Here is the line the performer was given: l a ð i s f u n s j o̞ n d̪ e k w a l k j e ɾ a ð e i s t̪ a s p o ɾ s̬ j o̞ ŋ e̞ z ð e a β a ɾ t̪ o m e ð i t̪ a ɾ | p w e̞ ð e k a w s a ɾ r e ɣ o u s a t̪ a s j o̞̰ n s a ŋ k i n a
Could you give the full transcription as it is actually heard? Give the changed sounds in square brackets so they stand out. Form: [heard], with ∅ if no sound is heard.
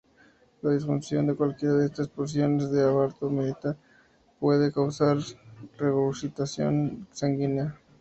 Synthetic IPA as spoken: l a ð i s f u n s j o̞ n d̪ e k w a l k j e ɾ a ð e [e] s t̪ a s p o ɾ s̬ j o̞ [n] e̞ z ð e a β a ɾ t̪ o m e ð i t̪ a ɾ | p w e̞ ð e k a w s a ɾ r e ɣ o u s [i] t̪ a s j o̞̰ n s a ŋ [ɡ] i n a